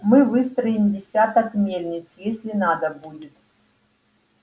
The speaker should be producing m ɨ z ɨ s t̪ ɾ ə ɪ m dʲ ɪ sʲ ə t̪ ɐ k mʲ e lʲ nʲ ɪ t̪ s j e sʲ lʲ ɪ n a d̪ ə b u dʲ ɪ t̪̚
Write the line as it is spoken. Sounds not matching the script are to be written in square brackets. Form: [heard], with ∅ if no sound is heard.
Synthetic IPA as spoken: m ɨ [v] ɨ s t̪ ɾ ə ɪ m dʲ ɪ sʲ [a] t̪ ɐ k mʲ e lʲ nʲ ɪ t̪ s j e sʲ lʲ ɪ n a d̪ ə b u dʲ ɪ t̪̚